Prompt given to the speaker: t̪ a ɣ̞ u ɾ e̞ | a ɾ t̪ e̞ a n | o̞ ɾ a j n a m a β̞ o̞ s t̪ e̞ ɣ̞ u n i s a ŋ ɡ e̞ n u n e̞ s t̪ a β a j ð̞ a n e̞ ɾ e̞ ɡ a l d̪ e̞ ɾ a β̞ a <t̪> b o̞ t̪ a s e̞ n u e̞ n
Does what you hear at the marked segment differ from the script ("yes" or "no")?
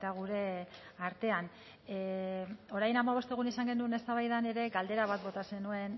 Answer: no